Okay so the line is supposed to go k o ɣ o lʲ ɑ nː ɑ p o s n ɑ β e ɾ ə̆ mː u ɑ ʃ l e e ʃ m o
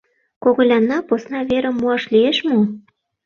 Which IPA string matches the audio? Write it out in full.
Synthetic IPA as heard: k o ɣ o lʲ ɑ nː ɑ p o s n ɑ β e ɾ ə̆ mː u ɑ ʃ l i e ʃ m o